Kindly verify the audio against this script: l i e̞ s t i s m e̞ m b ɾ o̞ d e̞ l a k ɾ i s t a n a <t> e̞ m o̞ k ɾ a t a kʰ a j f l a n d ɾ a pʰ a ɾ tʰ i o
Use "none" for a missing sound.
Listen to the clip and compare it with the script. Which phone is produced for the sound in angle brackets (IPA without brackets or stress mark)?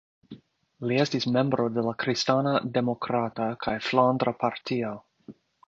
d